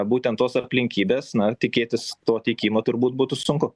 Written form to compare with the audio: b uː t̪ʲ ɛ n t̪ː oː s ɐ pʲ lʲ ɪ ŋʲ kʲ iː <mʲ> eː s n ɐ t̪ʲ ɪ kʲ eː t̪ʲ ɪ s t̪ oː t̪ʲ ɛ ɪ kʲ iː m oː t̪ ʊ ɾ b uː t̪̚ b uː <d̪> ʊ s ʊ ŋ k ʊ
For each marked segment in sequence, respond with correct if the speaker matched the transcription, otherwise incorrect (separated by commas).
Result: incorrect, incorrect